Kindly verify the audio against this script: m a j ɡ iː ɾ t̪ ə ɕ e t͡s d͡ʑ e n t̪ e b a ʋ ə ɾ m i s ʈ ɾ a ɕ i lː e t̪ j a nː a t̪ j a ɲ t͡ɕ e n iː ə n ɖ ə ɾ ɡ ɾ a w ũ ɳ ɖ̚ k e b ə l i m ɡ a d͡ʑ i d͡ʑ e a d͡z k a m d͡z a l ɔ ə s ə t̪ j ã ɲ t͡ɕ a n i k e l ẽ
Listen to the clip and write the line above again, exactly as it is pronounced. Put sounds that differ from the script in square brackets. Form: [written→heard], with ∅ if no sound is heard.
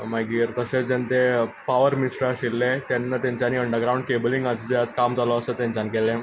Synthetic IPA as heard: m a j ɡ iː ɾ t̪ ə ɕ e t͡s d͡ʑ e n t̪ e [b→p] a ʋ ə ɾ m i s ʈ ɾ a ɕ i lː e t̪ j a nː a t̪ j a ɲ t͡ɕ [e→a] n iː ə [n→ɳ] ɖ ə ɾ ɡ ɾ a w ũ ɳ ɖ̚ k e b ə l i [m→ŋ] ɡ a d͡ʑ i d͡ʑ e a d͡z k a m d͡z a l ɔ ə s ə t̪ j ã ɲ t͡ɕ a n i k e l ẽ